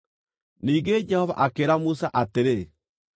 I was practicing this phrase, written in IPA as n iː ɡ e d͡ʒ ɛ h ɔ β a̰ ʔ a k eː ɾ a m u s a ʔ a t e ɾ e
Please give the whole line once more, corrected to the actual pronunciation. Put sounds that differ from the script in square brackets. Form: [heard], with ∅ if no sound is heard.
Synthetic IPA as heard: n iː ɡ e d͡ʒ ɛ h ɔ [v] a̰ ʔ a k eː ɾ a m u s a ʔ a t e ɾ e